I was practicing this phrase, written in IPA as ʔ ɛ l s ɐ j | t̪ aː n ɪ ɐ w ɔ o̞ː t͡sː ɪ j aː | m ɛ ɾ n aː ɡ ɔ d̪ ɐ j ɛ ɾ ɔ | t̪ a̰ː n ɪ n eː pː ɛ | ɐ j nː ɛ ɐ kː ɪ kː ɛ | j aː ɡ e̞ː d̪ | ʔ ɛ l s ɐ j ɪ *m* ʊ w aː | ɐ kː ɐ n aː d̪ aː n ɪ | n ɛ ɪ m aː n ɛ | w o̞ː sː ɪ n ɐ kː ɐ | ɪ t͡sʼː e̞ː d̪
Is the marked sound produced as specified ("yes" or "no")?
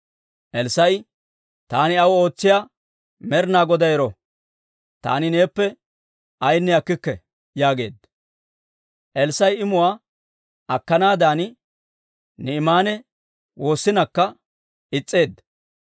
yes